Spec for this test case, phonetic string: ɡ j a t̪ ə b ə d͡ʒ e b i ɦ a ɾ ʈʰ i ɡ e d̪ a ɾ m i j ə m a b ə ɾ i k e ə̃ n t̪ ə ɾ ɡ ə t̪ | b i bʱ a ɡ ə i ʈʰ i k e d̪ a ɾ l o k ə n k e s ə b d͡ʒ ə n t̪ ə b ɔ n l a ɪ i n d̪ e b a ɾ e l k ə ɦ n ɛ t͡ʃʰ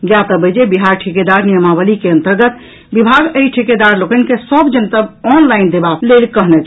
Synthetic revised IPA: ɡ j a t̪ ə b ə d͡ʒ e b i ɦ a ɾ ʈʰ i k e d̪ a ɾ n i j ə m a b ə l i k e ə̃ n t̪ ə ɾ ɡ ə t̪ | b i bʱ a ɡ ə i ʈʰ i k e d̪ a ɾ l o k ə n k e s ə b d͡ʒ ə n t̪ ə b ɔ n l a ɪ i n d̪ e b a l e l k ə ɦ n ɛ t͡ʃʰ